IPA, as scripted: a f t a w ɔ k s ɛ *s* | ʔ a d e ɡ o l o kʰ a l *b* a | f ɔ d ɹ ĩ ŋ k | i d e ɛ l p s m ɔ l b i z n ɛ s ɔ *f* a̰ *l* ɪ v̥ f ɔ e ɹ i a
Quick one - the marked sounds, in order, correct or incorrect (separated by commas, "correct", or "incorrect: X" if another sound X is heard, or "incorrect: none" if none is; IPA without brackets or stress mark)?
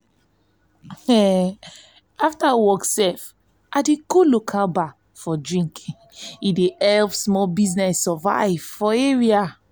incorrect: f, correct, incorrect: v, incorrect: none